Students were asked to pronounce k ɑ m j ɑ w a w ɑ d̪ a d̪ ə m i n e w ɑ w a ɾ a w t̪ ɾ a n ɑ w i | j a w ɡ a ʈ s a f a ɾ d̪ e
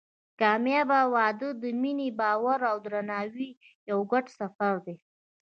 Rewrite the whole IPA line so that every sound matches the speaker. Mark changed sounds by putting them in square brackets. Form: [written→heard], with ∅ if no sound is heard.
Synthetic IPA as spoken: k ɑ m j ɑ [w→b] a w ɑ d̪ [a→ə] d̪ ə m i n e [w→b] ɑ w a ɾ a w [t̪→d̪] ɾ a n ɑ w i | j a w ɡ a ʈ s a f a ɾ d̪ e